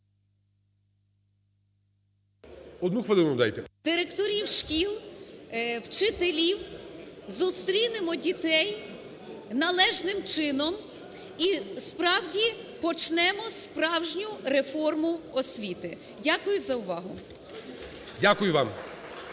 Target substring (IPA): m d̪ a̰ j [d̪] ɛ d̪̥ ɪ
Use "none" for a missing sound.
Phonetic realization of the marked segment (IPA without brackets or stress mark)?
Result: t̪